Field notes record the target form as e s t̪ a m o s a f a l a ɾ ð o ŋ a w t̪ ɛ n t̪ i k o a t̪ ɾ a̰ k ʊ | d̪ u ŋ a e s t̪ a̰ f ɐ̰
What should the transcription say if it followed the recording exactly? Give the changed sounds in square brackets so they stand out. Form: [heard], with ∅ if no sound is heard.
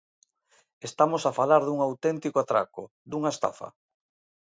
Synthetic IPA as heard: e s t̪ a m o s a f a l a ɾ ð [u] ŋ a w t̪ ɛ n t̪ i k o a t̪ ɾ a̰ k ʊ | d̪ u ŋ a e s t̪ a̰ f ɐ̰